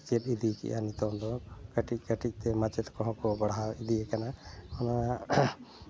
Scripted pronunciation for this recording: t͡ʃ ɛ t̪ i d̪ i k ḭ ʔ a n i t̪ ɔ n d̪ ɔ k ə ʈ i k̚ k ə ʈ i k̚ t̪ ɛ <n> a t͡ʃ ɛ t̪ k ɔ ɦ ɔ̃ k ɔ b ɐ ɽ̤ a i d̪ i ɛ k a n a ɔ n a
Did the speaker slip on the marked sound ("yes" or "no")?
yes